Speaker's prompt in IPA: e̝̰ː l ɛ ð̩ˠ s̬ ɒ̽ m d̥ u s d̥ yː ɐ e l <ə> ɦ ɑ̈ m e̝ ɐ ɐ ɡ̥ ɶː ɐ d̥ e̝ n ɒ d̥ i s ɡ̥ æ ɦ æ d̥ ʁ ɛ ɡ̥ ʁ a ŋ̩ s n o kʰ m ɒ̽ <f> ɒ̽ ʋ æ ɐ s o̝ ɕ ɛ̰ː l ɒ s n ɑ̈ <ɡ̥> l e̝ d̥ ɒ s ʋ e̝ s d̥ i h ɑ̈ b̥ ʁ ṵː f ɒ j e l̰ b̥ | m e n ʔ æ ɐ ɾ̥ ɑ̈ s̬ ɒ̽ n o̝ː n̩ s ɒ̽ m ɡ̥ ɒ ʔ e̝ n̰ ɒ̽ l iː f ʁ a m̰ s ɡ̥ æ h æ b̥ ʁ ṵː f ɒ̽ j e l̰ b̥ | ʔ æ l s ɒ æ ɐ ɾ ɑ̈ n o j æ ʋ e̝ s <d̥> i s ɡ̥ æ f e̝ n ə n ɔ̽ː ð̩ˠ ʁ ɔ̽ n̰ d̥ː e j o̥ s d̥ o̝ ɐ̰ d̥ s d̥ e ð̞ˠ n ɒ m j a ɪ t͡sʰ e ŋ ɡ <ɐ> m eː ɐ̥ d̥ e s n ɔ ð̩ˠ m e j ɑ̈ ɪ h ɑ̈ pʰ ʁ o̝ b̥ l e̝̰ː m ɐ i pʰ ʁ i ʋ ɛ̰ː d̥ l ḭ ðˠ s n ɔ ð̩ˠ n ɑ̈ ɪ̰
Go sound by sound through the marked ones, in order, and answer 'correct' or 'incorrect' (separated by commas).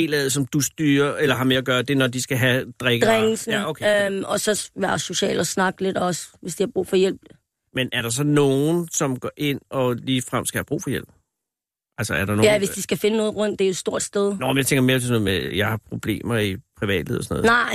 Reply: incorrect, incorrect, correct, correct, correct